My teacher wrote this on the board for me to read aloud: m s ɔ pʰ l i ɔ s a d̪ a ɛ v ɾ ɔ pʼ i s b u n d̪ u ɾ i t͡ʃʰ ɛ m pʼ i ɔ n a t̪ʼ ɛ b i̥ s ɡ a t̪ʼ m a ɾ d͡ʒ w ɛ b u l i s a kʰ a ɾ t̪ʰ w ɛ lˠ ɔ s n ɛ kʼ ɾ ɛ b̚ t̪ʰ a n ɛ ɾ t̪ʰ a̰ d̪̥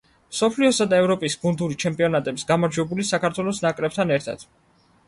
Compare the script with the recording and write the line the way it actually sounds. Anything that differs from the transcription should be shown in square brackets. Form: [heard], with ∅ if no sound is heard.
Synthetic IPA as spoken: m s ɔ pʰ l i ɔ s a d̪ a ɛ v ɾ ɔ pʼ i s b u n d̪ u ɾ i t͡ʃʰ ɛ m pʼ i ɔ n a t̪ʼ ɛ b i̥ s ɡ a [∅] m a ɾ d͡ʒ w ɛ b u l i s a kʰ a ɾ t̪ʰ w ɛ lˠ ɔ s n [a] kʼ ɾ ɛ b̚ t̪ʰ a n ɛ ɾ t̪ʰ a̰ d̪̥